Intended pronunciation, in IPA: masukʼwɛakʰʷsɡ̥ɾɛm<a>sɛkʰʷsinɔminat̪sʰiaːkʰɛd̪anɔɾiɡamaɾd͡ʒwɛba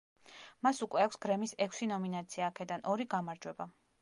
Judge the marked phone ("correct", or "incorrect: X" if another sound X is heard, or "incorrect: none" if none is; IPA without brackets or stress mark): incorrect: i